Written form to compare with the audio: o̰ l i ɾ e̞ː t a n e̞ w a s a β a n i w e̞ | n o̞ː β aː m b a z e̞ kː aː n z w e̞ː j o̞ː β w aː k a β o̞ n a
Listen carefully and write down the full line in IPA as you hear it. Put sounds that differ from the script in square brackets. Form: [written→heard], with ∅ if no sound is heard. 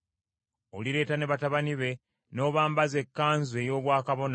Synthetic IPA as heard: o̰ l i ɾ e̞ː t a n e̞ [w→β] a [s→t] a β a n i [w→β] e̞ | n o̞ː β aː m b a z e̞ kː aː n z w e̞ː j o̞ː β w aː k a β o̞ n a